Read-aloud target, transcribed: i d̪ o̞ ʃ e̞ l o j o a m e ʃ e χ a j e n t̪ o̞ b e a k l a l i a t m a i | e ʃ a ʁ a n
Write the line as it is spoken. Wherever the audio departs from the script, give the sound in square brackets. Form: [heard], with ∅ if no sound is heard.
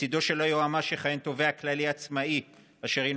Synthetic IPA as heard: i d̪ o̞ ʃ e̞ l o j o a m [a] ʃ e χ a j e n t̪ o̞ [v] e a k l a l i a [t͡s] m a i | [a] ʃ [e] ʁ [i] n